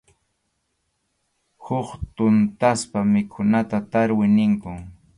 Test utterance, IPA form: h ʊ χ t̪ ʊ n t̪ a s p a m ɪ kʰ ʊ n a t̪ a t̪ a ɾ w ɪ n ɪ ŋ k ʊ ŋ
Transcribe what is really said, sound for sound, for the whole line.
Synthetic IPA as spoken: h ʊ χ t̪ ʊ n t̪ a s p a m ɪ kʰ ʊ n a t̪ a t̪ a ɾ w ɪ n ɪ ŋ k ʊ ŋ